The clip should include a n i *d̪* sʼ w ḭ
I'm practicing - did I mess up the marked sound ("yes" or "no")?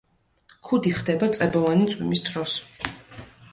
yes